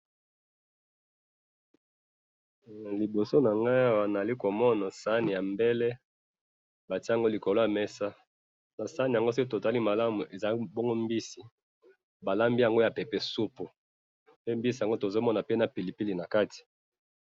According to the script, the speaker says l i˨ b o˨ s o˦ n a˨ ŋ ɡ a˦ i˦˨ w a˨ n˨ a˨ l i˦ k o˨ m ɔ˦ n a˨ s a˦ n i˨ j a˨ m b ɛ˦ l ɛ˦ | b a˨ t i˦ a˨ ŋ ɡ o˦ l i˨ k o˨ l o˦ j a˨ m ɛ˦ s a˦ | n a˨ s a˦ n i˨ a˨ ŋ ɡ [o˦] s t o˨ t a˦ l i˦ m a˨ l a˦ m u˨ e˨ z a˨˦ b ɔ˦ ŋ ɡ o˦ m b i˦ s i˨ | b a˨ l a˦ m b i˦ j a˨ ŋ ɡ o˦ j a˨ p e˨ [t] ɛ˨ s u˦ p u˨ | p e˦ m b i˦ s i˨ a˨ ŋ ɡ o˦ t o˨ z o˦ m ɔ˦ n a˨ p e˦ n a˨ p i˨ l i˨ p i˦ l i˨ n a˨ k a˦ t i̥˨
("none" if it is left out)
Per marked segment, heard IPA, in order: o˦, p

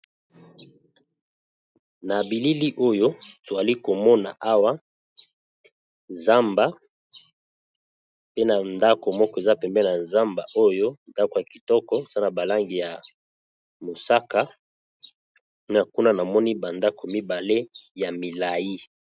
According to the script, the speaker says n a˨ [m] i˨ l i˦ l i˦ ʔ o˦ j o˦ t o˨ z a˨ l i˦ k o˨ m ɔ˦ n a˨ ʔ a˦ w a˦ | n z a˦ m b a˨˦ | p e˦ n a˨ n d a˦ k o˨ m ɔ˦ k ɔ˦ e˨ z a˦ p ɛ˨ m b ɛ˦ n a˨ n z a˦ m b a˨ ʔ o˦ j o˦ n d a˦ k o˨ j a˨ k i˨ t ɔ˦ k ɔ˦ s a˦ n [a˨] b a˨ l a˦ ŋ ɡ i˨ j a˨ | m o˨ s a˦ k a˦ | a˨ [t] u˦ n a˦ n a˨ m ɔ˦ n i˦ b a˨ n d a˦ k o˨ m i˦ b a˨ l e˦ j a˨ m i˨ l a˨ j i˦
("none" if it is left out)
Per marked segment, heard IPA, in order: b, a˨, k

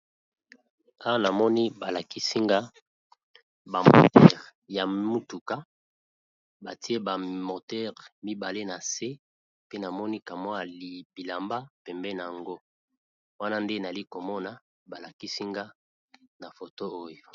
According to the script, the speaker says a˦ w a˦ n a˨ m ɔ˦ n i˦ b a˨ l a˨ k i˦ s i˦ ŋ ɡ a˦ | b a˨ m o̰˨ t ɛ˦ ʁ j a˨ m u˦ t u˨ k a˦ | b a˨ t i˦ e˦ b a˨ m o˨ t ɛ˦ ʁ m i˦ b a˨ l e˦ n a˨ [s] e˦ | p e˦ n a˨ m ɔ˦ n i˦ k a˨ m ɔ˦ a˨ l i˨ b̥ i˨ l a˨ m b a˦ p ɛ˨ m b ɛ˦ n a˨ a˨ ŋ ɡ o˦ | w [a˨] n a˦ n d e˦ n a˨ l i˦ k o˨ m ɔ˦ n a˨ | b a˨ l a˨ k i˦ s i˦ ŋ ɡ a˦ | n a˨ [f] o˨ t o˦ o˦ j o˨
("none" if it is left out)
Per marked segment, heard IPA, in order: s, a˦, f

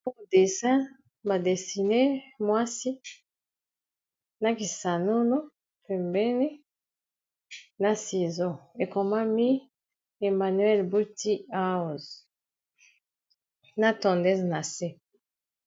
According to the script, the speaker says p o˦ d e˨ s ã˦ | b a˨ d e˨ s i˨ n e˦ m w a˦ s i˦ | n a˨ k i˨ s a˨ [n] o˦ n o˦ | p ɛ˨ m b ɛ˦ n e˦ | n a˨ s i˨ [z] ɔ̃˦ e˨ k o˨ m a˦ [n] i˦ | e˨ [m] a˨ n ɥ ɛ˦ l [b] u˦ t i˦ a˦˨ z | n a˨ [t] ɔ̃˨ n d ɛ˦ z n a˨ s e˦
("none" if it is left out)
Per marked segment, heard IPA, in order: n, z, m, m, b, t

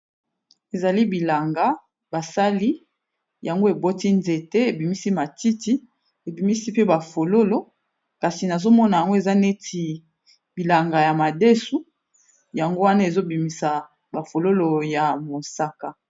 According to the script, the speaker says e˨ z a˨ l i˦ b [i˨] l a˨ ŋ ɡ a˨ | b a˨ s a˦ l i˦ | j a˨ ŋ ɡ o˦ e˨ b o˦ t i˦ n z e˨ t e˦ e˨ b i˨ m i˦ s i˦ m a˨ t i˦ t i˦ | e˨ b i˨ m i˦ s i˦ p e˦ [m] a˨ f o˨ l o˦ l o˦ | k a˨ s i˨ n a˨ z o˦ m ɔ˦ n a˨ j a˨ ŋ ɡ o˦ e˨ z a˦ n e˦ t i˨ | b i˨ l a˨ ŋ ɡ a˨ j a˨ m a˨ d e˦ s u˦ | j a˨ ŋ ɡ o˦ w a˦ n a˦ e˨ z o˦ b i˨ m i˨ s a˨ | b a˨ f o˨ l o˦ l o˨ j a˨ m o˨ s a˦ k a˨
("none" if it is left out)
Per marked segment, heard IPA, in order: i˨, b

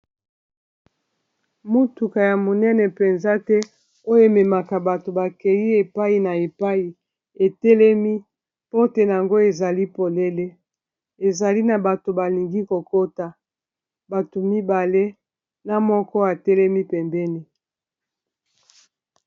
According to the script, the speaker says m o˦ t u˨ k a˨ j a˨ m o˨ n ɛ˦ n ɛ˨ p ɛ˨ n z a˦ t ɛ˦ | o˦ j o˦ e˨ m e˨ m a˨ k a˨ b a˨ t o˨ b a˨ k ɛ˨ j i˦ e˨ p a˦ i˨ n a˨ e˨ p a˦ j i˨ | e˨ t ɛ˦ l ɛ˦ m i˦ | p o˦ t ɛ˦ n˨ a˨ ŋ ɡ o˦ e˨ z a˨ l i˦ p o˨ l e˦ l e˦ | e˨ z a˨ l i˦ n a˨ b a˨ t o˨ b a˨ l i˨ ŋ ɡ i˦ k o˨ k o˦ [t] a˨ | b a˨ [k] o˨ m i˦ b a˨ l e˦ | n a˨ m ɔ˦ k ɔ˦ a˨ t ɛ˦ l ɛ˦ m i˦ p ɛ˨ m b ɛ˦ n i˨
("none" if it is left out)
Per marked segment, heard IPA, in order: t, t

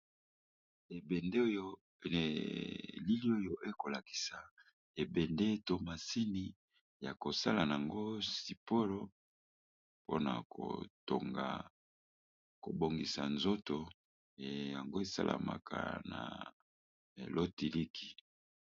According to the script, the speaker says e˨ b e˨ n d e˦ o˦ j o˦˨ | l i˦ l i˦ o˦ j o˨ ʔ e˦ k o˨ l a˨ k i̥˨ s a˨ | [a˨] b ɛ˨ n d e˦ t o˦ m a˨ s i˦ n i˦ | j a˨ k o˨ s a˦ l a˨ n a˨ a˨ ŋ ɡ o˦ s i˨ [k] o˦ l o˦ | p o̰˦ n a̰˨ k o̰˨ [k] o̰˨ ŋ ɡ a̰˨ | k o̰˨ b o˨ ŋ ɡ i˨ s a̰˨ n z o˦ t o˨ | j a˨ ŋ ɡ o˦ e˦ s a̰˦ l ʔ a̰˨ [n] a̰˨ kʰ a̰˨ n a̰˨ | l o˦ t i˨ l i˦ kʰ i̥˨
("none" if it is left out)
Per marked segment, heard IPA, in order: e˨, p, t, m

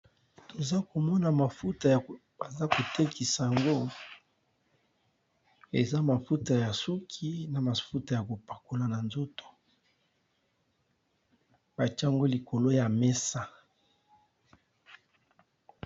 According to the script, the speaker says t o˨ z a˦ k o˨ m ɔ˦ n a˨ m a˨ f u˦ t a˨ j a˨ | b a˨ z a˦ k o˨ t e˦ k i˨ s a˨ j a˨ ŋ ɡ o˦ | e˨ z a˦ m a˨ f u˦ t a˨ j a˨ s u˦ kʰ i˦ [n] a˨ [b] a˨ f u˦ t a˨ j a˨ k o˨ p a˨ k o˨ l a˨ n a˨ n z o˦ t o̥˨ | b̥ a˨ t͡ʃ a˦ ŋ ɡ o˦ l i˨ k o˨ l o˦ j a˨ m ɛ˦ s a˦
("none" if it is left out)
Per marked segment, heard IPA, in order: n, m

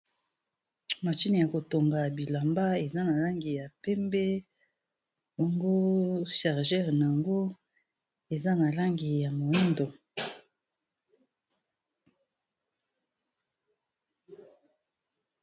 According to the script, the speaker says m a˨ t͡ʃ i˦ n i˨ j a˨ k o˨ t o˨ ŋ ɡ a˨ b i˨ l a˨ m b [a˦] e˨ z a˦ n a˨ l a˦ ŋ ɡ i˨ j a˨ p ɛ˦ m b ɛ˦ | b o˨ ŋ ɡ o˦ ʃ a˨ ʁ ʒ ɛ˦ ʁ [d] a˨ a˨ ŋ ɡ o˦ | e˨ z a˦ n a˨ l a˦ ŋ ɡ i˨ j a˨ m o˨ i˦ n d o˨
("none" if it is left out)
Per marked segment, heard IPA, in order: a˦, n

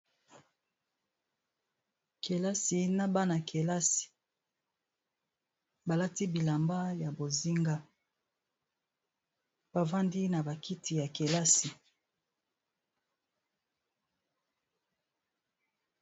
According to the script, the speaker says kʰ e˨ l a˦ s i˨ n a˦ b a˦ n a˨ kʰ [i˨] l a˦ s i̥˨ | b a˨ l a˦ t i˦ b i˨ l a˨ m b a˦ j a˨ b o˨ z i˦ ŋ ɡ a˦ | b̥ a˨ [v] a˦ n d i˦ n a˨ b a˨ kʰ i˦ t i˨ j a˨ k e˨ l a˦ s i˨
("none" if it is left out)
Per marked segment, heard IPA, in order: e˨, v

